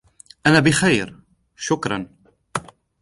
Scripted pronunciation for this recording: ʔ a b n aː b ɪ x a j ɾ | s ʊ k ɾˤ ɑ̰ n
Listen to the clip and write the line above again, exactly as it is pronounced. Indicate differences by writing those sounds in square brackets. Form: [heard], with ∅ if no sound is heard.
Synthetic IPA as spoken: ʔ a [∅] n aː b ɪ x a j ɾ | [ʃ] ʊ k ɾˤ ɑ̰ n